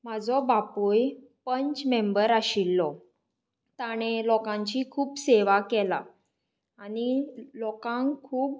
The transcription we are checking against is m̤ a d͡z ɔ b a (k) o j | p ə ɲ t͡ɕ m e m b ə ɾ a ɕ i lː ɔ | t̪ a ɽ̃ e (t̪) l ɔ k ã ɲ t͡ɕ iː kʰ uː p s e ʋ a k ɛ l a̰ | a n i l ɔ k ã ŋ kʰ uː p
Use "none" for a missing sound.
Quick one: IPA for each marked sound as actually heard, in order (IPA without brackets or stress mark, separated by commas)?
p, none